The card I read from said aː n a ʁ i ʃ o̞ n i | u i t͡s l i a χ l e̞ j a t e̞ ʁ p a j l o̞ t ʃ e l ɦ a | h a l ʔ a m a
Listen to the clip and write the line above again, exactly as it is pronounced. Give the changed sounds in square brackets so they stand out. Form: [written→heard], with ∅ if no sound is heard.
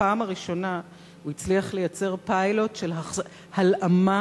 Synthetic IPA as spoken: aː [n→m] a ʁ i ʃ o̞ n [i→a] | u i t͡s l i a χ l e̞ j a [t→t͡s] e̞ ʁ p a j l o̞ t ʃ e l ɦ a | h a l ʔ a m a

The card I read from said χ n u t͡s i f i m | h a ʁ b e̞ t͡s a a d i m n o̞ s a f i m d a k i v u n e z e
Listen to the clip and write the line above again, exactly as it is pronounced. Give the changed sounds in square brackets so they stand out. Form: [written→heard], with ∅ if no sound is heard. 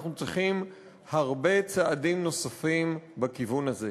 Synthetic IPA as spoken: χ n u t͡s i [f→χ] i m | h a ʁ b e̞ t͡s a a d i m n o̞ s a f i m [d→b] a k i v u n [e→a] z e

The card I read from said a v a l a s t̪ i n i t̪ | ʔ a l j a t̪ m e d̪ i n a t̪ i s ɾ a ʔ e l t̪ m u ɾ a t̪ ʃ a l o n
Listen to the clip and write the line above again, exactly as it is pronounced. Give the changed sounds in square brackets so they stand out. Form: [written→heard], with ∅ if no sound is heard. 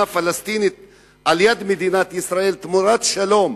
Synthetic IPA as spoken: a [v→f] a l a s t̪ i n i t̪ | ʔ a l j a [t̪→d̪] m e d̪ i n a t̪ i s ɾ a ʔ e l t̪ m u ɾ a t̪ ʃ a l o [n→m]

